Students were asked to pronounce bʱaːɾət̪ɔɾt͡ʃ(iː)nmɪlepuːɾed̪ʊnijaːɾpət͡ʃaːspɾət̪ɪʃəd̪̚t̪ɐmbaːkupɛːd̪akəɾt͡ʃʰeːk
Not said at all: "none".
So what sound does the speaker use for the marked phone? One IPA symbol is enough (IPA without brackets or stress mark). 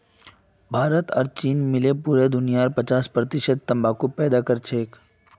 iː